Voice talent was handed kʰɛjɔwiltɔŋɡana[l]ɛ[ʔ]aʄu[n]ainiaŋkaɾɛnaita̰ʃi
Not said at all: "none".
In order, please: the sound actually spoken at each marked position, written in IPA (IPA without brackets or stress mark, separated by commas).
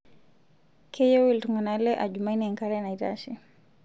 l, ʔ, m